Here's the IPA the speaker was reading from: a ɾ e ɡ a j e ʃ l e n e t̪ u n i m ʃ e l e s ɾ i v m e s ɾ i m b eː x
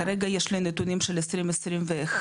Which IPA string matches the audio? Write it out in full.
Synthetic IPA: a ɾ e ɡ a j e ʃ l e n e t̪ u n i m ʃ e l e s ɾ i m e s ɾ i m v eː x